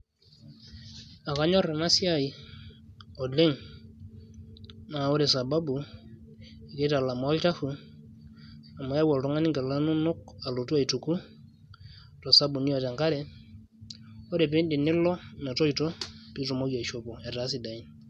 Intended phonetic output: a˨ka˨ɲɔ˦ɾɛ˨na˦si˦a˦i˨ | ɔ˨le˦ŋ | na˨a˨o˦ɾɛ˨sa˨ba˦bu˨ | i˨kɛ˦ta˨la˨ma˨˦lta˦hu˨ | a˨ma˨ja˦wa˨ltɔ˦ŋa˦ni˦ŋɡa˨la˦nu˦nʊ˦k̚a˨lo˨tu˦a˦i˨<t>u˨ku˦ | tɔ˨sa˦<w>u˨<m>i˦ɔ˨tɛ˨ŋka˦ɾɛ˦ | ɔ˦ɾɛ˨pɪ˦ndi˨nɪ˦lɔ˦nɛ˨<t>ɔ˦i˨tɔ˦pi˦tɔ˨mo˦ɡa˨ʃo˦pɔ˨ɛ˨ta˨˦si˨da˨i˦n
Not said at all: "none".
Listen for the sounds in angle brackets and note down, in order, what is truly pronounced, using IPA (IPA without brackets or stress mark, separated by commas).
t, b, n, t